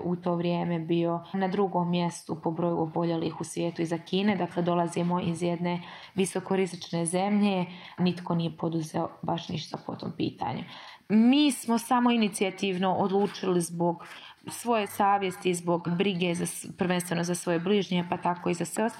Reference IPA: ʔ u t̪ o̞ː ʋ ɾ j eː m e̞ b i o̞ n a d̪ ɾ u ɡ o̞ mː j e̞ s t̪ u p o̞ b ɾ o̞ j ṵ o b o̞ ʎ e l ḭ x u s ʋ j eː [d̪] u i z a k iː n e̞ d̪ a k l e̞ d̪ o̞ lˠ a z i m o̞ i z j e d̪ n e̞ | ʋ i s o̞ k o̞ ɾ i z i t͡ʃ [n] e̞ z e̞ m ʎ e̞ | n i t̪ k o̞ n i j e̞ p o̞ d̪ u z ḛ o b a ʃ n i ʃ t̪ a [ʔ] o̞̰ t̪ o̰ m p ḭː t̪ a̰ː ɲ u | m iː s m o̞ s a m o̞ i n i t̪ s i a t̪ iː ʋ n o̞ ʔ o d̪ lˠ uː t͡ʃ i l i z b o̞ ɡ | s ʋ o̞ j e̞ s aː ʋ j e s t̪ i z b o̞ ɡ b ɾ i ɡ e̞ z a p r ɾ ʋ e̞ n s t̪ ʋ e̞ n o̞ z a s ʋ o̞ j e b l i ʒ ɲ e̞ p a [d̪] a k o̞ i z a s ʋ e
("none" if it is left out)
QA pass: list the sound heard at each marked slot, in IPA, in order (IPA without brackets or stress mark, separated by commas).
t̪, n, p, t̪